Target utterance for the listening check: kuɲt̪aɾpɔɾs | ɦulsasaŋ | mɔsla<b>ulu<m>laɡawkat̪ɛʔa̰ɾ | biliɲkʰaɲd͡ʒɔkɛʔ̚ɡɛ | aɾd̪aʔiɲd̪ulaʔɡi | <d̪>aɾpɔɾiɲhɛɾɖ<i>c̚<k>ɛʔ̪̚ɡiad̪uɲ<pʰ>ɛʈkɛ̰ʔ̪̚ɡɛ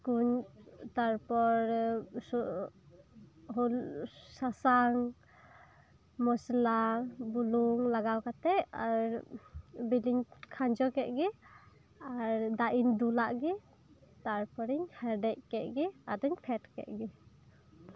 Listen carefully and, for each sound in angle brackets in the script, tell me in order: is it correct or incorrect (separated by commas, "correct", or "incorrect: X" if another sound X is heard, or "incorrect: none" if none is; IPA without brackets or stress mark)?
correct, incorrect: ŋ, incorrect: t̪, incorrect: ɛ, correct, correct